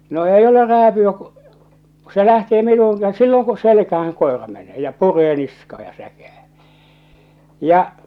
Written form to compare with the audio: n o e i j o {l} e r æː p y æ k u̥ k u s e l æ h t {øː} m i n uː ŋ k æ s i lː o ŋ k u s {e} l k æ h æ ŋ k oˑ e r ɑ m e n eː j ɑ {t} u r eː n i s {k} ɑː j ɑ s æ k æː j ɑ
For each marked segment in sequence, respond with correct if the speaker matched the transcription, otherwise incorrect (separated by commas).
correct, incorrect, correct, incorrect, correct